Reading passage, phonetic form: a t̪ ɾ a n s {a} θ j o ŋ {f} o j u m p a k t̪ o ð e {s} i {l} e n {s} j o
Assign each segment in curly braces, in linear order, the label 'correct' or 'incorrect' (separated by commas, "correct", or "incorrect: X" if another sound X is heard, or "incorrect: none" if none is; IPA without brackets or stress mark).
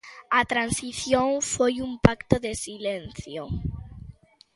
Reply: incorrect: i, correct, correct, correct, incorrect: θ